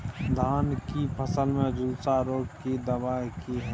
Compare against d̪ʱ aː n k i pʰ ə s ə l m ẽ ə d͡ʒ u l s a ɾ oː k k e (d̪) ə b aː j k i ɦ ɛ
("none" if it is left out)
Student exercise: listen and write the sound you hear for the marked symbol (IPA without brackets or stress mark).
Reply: d̪